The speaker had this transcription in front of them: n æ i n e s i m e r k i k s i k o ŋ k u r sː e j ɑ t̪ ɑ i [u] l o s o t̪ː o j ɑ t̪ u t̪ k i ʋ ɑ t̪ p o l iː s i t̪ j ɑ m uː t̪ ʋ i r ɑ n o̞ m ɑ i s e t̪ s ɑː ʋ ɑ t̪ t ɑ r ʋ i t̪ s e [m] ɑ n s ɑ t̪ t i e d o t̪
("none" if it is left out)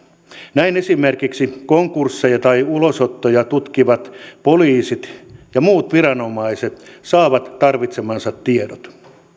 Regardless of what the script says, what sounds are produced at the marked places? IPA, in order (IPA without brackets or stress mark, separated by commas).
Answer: u, m